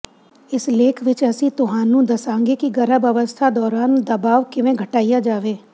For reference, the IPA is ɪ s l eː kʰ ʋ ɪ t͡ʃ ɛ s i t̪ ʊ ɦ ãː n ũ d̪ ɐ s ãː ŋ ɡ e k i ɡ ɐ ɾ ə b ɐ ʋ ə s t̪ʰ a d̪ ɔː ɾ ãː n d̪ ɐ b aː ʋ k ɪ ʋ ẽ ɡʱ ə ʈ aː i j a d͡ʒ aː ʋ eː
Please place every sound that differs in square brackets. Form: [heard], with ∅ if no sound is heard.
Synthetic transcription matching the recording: ɪ s l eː kʰ ʋ ɪ t͡ʃ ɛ s i t̪ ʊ ɦ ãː n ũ d̪ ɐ s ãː ŋ ɡ e k i ɡ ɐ ɾ ə b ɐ ʋ ə s t̪ʰ a d̪ ɔː ɾ [aː] n d̪ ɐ b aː ʋ k ɪ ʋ ẽ ɡʱ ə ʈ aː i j a d͡ʒ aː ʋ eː